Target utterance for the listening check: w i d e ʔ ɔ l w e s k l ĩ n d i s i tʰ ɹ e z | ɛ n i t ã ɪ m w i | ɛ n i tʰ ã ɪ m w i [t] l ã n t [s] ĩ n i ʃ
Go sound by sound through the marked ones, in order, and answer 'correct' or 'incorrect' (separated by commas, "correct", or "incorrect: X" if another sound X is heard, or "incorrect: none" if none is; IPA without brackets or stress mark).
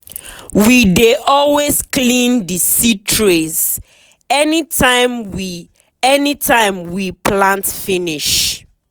incorrect: p, incorrect: f